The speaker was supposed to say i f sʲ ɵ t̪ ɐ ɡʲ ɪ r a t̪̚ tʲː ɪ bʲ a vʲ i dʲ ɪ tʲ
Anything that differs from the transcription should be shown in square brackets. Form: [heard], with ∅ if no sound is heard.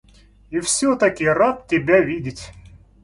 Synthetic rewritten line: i f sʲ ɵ t̪ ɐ [kʲ] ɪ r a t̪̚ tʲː ɪ bʲ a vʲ i dʲ ɪ tʲ